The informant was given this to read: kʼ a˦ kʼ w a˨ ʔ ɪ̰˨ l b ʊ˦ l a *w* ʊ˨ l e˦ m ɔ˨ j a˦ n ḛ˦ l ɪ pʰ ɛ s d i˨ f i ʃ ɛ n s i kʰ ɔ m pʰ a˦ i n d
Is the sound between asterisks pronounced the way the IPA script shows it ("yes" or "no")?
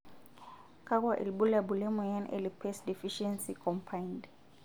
no